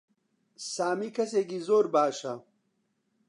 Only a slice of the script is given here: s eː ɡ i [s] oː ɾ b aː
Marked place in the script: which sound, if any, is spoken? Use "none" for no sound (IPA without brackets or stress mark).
z